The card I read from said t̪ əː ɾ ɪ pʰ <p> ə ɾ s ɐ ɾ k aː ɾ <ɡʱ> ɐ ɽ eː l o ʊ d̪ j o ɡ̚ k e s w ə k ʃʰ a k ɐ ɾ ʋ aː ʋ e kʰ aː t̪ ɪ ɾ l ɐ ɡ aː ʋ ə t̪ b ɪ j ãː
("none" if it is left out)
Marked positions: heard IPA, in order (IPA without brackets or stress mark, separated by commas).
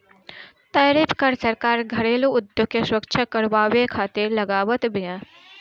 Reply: k, ɡʱ